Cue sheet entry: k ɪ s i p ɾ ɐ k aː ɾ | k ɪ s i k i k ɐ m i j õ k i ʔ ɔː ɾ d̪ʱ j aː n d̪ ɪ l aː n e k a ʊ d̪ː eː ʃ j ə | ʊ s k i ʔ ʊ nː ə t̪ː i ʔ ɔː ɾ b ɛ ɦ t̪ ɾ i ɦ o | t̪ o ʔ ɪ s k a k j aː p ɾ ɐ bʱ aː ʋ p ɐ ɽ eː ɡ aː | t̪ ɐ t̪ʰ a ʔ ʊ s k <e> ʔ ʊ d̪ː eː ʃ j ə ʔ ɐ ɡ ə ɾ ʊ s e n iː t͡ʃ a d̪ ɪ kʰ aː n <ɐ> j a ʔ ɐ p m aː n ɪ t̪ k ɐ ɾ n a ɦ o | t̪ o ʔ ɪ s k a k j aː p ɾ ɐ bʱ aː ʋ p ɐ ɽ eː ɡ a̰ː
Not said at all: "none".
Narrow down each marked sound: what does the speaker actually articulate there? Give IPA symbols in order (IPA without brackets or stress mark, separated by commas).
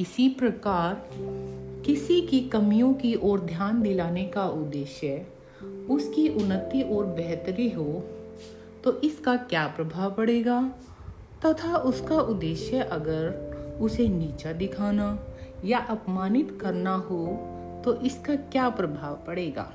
a, a